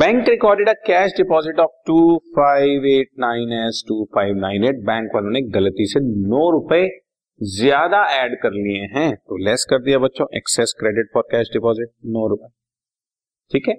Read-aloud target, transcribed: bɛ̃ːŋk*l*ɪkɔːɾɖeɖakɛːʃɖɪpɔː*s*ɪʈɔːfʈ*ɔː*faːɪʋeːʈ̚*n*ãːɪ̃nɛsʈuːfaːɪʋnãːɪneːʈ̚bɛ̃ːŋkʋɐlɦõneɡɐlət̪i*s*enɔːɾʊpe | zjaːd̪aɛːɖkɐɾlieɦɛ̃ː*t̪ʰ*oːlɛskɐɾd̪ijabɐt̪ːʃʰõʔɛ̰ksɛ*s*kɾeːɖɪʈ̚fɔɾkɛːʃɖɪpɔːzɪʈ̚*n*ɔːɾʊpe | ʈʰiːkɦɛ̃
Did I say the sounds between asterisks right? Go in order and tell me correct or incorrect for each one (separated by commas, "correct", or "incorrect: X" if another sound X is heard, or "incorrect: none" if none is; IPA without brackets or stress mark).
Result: incorrect: ɾ, incorrect: z, incorrect: uː, correct, correct, incorrect: t̪, correct, correct